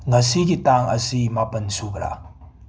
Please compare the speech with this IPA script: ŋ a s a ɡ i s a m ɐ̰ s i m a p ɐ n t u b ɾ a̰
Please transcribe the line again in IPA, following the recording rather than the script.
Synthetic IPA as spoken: ŋ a s i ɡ i t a ŋ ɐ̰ s i m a p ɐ n s u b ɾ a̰